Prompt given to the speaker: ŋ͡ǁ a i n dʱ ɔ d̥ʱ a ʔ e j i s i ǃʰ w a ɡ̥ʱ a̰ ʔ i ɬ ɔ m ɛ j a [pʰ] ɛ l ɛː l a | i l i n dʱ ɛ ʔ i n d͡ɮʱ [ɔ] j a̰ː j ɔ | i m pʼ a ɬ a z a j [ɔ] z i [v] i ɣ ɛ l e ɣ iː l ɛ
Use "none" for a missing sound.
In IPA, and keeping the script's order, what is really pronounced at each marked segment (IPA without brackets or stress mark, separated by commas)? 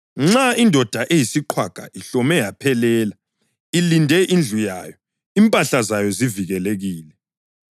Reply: pʰ, u, ɔ, v